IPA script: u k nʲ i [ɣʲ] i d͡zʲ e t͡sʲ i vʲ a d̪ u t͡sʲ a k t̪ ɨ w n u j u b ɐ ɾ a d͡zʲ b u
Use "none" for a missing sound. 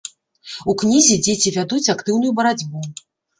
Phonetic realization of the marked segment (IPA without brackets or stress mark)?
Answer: zʲ